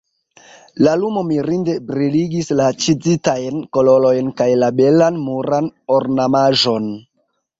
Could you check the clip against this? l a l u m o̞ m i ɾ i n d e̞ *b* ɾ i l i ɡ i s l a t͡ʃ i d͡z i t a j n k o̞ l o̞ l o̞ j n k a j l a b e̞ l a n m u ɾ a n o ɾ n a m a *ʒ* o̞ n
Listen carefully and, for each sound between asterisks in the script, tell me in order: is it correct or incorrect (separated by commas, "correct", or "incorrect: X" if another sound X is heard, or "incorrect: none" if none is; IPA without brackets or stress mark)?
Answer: correct, correct